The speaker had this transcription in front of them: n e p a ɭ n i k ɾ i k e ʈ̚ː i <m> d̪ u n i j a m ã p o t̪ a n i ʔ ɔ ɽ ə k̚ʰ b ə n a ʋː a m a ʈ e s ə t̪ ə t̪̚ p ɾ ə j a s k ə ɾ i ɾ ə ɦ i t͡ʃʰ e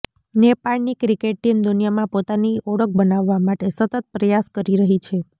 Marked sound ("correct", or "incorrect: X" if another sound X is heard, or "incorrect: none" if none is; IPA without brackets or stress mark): correct